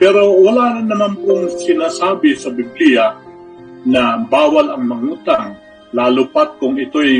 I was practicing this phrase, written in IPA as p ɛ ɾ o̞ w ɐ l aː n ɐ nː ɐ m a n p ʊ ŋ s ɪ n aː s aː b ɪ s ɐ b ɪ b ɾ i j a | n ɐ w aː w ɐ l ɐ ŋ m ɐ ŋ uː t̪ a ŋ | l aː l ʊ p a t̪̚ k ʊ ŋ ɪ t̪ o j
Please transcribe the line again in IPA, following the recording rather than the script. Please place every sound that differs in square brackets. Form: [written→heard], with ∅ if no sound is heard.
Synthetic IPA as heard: p ɛ ɾ o̞ w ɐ l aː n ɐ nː ɐ m a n p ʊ ŋ s ɪ n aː s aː b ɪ s ɐ b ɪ b [ɾ→l] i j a | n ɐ [w→b] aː w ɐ l ɐ ŋ m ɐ ŋ uː t̪ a ŋ | l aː l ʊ p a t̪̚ k ʊ ŋ ɪ t̪ o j